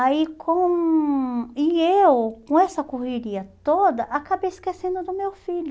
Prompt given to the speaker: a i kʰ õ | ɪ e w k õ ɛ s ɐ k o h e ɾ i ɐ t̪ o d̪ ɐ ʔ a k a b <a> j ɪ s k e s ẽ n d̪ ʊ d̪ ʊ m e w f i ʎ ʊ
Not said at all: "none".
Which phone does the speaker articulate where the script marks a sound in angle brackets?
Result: e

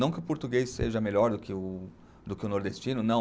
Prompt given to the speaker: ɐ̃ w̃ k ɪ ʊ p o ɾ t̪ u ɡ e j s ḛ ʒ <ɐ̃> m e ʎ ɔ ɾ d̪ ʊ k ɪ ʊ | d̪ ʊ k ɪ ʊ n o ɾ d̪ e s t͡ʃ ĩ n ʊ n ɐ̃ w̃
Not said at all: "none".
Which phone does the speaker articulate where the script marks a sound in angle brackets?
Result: ɐ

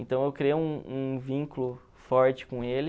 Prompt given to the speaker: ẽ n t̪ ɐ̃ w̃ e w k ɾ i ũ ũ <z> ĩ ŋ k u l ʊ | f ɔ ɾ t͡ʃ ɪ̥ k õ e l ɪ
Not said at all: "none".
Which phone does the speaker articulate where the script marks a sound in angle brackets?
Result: v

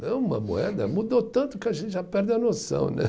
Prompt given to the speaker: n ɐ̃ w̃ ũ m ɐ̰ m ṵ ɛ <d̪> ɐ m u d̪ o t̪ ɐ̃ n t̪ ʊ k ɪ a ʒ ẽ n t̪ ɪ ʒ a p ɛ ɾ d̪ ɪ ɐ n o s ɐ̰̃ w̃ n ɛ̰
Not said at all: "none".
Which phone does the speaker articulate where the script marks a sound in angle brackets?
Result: d̪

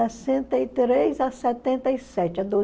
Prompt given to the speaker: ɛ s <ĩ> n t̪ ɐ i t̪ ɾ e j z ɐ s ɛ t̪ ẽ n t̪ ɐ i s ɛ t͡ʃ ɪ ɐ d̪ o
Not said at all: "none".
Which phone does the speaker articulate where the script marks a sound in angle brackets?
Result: ẽ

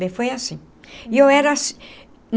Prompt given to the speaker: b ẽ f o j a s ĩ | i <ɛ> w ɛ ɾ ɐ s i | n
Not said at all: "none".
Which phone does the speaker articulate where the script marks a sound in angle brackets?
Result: e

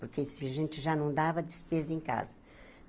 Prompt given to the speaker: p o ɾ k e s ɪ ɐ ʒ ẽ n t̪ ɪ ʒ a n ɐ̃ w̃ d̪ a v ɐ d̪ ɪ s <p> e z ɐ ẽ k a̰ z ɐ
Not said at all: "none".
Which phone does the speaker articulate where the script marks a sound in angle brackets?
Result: p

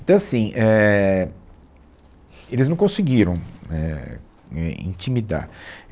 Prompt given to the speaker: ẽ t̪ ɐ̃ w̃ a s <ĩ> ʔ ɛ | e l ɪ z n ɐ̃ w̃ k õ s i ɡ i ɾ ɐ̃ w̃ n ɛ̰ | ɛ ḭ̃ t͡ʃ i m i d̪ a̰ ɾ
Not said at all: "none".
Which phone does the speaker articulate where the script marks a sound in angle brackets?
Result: ĩ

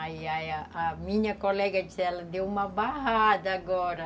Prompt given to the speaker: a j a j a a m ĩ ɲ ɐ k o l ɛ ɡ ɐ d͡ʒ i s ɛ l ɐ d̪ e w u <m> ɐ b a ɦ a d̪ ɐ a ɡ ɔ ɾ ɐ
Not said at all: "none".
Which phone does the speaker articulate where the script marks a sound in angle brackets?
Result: m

